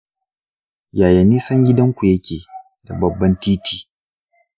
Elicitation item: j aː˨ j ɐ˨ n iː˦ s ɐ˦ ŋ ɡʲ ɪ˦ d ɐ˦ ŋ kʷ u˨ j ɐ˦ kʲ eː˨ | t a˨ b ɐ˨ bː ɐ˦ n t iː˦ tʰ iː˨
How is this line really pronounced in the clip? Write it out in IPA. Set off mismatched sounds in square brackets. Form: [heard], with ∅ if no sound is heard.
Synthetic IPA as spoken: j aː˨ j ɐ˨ n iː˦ s ɐ˦ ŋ ɡʲ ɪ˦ d ɐ˦ ŋ kʷ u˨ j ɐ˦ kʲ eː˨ | [d] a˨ b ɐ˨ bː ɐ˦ n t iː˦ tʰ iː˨

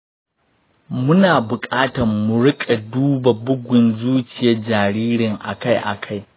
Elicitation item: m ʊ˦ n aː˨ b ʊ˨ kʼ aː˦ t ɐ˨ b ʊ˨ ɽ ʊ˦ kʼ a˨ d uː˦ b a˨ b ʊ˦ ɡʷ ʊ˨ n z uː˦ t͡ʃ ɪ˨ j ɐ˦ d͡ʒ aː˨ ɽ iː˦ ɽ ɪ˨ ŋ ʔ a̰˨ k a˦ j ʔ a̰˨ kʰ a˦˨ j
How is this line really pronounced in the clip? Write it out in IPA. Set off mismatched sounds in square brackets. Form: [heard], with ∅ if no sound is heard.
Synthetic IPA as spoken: m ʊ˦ n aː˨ b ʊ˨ kʼ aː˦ t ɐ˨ [m] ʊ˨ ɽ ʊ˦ kʼ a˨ d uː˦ b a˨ b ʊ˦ ɡʷ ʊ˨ n z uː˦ t͡ʃ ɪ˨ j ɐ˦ d͡ʒ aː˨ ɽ iː˦ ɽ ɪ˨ ŋ ʔ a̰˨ k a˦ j ʔ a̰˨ kʰ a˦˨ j

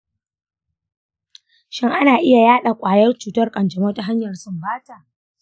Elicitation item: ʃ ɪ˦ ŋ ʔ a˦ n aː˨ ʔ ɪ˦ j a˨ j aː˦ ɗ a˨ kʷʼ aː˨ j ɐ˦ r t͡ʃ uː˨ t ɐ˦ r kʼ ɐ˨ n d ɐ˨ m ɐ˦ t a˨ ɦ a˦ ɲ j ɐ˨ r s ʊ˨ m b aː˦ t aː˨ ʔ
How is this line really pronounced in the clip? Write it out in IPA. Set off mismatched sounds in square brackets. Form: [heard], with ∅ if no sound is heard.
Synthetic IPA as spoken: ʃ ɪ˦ ŋ ʔ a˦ n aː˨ ʔ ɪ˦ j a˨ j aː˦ ɗ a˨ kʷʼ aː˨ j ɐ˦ r t͡ʃ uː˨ t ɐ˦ r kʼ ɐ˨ n [d͡ʒ] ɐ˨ m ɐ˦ t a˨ ɦ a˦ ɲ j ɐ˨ r s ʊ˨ m b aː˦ t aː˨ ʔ

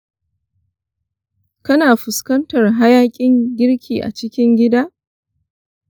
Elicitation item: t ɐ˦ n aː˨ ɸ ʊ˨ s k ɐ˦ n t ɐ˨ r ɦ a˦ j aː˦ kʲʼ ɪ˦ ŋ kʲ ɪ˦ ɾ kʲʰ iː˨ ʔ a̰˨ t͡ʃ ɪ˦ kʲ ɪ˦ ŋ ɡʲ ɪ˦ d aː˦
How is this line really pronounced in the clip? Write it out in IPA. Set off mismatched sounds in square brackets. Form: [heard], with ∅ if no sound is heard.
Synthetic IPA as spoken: [k] ɐ˦ n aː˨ ɸ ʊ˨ s k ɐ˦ n t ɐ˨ r ɦ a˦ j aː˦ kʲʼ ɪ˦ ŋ [ɡʲ] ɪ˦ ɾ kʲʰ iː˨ ʔ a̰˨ t͡ʃ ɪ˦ kʲ ɪ˦ ŋ ɡʲ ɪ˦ d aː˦

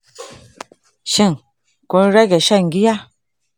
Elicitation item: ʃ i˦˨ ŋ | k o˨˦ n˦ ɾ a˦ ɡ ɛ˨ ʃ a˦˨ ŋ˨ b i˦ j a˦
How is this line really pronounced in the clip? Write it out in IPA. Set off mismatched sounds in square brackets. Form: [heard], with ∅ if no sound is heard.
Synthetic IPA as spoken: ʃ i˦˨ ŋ | k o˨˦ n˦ ɾ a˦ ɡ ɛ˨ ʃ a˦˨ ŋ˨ [ɡ] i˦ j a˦

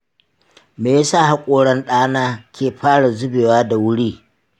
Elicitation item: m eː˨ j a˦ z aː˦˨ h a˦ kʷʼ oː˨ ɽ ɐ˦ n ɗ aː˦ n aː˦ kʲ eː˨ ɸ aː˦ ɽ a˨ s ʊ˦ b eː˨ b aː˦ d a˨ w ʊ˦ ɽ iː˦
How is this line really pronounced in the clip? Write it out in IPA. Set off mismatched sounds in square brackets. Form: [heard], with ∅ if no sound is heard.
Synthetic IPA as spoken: m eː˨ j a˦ [s] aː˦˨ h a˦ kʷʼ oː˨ ɽ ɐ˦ n ɗ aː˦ n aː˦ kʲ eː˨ ɸ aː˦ ɽ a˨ [z] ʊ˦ b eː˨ [w] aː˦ d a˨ w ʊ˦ ɽ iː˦

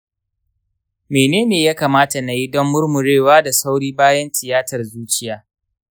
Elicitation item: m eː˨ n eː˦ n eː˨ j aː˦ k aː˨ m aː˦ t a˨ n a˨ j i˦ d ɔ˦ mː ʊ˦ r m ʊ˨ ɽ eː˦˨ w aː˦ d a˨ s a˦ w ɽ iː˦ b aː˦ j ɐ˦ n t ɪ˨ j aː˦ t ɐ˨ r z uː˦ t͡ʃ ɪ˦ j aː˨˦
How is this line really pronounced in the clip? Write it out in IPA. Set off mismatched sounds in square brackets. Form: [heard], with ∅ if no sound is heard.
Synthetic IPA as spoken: m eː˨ n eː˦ n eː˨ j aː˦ k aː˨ m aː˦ t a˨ n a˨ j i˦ d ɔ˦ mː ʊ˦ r m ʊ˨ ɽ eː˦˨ w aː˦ d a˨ s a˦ w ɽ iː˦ b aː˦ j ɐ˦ n t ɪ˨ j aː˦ t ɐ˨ r z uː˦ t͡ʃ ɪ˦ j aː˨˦

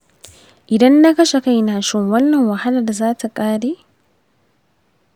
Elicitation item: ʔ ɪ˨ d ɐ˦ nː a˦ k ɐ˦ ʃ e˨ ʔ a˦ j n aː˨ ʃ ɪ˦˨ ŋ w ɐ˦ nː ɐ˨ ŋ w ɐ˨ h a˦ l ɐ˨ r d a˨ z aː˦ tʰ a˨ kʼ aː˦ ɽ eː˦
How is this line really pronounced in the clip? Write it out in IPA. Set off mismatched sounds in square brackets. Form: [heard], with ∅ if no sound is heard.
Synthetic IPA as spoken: ʔ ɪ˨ d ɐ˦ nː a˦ k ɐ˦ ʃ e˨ [k] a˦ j n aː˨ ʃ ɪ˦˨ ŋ w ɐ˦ nː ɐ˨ ŋ w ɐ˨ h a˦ l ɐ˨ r d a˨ z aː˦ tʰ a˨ kʼ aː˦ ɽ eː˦

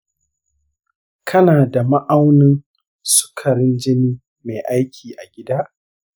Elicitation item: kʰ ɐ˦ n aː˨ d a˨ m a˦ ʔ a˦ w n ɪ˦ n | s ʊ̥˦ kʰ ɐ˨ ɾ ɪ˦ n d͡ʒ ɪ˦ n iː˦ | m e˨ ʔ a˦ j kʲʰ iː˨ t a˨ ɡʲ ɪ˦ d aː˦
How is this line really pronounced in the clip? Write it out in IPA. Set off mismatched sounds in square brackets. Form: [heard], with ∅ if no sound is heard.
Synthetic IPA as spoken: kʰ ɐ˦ n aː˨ d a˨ m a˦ ʔ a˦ w n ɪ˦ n | s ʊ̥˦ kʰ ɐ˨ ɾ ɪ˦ n d͡ʒ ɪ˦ n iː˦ | m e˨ ʔ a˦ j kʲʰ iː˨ [ʔ] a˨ ɡʲ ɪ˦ d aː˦

